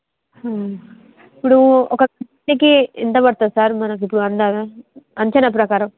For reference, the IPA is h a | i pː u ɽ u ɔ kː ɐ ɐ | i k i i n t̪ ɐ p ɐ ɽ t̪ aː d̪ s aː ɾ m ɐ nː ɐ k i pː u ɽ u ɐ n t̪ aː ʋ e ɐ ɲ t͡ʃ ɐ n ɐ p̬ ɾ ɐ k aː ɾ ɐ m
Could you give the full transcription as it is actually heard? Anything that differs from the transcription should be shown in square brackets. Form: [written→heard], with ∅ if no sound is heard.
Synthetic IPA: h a | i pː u ɽ u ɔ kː ɐ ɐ | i k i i n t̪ ɐ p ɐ ɽ t̪ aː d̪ s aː ɾ m ɐ [nː→n] ɐ k i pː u ɽ u ɐ n [t̪→d̪] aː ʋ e ɐ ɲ t͡ʃ ɐ n ɐ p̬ ɾ ɐ k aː ɾ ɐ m